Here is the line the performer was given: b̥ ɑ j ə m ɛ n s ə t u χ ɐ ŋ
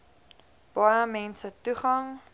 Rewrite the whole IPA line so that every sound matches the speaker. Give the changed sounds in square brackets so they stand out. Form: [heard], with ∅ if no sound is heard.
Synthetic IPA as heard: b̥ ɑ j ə m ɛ n s ə t u χ ɐ ŋ